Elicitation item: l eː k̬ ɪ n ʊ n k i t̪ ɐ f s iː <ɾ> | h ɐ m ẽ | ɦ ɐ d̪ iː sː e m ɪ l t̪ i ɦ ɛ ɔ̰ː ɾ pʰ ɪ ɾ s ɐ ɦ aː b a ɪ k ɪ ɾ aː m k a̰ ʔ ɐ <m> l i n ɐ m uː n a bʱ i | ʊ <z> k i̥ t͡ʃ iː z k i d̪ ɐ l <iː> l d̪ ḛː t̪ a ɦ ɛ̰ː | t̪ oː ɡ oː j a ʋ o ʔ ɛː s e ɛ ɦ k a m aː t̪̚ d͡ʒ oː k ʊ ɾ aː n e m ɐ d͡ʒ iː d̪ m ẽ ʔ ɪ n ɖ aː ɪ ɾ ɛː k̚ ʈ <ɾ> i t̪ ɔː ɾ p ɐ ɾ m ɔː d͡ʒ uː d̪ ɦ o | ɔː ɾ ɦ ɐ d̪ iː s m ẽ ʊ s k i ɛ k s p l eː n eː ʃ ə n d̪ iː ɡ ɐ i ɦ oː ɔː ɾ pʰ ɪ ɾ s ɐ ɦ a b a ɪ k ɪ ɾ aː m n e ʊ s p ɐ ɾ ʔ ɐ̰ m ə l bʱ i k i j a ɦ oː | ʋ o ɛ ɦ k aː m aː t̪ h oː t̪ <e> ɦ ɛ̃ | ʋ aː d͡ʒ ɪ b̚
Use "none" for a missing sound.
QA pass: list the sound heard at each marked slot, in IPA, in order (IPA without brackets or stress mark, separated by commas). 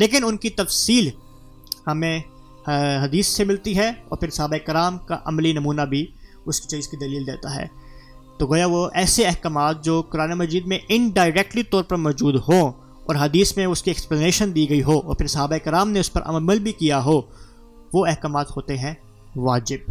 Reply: l, m, s, iː, l, e